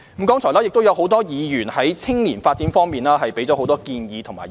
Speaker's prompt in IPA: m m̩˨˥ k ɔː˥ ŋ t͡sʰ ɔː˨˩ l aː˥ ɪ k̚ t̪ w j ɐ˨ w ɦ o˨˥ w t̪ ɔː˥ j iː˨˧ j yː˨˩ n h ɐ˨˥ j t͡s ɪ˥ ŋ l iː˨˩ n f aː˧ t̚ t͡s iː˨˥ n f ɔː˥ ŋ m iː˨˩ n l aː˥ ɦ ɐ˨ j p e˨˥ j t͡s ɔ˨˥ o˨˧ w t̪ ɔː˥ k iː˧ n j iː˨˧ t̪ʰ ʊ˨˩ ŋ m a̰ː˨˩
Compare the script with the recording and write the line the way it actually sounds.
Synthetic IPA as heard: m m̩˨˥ k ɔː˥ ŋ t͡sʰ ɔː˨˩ l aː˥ ɪ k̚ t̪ w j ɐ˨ w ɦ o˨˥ w t̪ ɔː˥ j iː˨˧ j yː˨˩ n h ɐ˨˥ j t͡sʰ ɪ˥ ŋ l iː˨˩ n f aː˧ t̚ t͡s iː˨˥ n f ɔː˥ ŋ m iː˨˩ n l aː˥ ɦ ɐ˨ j p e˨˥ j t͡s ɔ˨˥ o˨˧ w t̪ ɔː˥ k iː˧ n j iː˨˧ t̪ʰ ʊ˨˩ ŋ m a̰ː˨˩